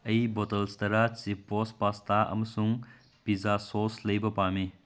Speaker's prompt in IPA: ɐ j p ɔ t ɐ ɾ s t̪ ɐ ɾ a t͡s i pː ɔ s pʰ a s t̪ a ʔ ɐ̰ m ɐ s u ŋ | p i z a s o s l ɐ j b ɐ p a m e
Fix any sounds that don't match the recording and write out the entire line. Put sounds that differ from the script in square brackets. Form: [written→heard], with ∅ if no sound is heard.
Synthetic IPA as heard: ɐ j [p→b] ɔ t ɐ [ɾ→l] s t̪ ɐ ɾ a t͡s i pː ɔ s [pʰ→p] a s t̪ a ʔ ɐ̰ m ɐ s u ŋ | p i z a s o s l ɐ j b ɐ p a m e